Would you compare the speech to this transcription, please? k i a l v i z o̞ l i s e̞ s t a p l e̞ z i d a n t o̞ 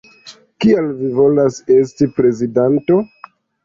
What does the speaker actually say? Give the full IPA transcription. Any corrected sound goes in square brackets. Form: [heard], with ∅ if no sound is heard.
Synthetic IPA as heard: k i a l v i [v] o̞ l [a] s e̞ s t [i] p [ɾ] e̞ z i d a n t o̞